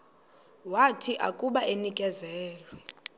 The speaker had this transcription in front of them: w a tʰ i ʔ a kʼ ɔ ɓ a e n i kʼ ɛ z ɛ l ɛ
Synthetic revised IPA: w a tʰ i ʔ a kʼ u ɓ a e n i kʼ ɛ z ɛː l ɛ